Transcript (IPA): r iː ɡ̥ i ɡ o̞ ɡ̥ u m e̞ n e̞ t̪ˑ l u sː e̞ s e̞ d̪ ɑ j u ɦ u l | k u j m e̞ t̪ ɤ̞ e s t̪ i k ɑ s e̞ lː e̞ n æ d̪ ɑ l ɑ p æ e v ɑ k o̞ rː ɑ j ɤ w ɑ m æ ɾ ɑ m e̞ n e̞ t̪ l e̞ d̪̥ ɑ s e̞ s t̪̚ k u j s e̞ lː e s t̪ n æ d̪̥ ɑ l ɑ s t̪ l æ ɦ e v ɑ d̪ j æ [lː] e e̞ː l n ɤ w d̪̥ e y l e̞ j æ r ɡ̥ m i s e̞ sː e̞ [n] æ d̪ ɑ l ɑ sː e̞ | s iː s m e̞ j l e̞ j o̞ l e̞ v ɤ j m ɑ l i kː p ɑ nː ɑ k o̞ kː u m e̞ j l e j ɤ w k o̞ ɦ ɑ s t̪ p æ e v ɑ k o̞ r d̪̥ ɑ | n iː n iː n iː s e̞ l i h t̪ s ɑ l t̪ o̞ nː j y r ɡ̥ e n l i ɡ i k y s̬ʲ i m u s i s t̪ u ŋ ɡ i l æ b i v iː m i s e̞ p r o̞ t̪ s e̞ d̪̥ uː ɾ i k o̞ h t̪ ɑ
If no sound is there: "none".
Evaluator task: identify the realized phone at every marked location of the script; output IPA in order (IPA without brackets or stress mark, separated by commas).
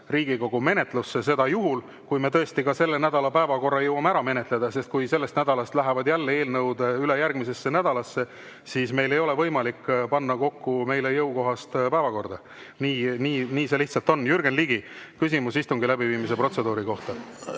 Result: lː, n